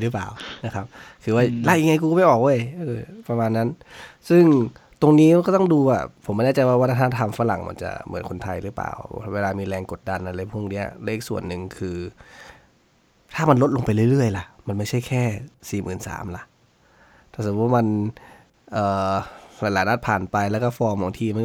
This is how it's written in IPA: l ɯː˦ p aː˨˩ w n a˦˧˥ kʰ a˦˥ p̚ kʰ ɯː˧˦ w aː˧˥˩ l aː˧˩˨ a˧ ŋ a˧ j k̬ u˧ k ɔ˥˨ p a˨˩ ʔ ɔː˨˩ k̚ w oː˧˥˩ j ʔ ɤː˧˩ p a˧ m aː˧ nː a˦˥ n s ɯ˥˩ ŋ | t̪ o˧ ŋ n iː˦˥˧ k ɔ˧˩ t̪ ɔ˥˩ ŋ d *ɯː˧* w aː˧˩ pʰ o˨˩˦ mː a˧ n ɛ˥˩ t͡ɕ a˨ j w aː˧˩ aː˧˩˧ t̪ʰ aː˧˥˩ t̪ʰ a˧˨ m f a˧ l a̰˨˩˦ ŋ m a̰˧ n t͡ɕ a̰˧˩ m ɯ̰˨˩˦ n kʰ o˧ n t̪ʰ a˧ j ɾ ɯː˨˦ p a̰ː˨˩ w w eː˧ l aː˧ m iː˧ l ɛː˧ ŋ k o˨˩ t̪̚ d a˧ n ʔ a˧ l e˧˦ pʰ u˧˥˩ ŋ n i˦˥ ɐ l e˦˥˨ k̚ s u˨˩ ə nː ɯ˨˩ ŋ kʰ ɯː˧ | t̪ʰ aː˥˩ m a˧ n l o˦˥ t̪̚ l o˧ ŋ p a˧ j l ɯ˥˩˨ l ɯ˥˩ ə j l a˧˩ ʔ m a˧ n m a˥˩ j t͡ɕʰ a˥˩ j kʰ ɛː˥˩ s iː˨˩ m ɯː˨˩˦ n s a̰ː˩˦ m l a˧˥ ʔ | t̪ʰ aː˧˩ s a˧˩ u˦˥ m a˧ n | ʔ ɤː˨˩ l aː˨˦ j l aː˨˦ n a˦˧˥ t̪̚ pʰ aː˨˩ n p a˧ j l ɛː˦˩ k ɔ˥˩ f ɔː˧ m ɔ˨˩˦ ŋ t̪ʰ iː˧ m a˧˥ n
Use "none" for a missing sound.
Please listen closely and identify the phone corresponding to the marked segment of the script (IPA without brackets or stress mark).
uː˧